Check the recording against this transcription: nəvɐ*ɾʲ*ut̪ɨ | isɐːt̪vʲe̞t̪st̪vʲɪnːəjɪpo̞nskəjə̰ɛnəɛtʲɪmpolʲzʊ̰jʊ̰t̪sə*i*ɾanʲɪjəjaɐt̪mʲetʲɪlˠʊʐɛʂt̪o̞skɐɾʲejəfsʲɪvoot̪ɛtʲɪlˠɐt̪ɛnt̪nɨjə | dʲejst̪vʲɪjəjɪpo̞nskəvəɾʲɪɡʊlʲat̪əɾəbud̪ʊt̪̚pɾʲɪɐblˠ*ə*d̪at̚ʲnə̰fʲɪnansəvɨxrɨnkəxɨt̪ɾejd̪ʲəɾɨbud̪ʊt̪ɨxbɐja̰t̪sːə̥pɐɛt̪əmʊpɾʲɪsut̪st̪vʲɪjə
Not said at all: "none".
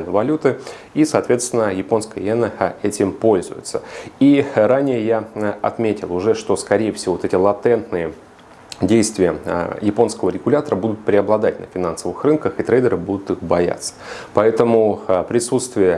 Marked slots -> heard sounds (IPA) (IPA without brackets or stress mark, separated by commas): lʲ, i, ɐ